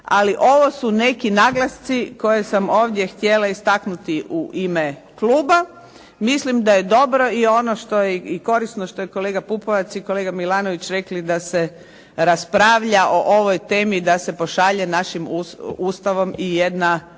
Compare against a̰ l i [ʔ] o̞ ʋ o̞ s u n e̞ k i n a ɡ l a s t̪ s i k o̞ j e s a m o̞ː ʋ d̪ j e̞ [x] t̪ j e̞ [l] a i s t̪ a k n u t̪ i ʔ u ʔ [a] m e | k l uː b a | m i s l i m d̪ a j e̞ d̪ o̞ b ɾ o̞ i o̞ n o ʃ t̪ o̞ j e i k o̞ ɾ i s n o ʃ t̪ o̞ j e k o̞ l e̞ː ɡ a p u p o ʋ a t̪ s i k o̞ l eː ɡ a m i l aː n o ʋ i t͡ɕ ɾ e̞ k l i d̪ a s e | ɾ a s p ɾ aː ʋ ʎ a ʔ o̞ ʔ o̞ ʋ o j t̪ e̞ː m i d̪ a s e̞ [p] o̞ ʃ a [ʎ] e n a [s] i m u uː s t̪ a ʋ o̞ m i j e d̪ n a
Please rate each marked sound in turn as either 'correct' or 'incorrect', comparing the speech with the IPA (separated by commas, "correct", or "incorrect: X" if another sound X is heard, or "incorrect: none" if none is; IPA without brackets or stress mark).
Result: correct, correct, correct, incorrect: i, correct, correct, incorrect: ʃ